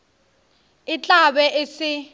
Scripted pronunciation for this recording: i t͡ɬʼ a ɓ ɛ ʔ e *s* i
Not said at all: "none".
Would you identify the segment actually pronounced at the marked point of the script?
s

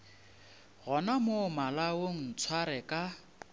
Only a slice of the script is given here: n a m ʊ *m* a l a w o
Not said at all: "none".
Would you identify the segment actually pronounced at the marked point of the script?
m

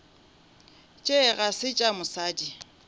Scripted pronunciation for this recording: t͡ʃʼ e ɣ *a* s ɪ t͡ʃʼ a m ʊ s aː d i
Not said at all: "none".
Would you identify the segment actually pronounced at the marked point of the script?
a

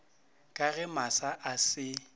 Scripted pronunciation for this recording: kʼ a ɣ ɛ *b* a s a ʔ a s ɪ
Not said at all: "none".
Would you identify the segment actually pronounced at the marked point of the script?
m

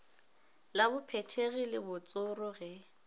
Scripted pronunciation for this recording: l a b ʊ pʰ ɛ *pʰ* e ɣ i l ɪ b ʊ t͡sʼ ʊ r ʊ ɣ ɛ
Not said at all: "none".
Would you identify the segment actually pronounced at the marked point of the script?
tʰ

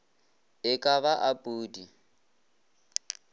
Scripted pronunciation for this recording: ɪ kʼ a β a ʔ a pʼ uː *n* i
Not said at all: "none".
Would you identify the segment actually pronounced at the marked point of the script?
d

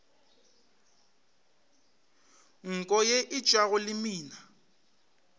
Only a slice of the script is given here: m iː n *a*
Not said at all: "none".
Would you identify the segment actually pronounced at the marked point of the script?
a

